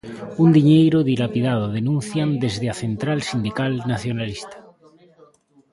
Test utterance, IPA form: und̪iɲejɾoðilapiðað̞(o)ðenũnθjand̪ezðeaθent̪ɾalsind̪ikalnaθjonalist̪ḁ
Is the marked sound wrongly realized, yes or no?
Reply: no